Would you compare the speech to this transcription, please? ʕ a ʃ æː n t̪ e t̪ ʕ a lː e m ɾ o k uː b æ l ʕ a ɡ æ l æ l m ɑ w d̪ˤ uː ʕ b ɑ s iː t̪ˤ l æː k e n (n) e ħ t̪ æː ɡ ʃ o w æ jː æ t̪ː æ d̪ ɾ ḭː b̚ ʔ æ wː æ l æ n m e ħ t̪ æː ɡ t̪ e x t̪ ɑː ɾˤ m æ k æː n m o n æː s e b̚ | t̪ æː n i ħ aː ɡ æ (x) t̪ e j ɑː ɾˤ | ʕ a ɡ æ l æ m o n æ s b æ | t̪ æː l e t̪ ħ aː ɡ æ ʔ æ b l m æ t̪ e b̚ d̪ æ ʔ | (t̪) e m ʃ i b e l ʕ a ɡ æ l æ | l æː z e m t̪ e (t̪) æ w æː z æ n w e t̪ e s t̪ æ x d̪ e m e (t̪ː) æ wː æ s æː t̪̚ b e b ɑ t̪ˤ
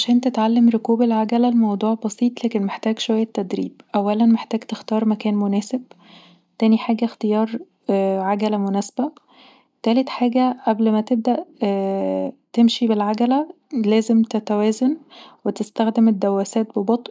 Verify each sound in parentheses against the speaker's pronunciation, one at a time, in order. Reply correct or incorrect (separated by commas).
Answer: incorrect, correct, correct, correct, incorrect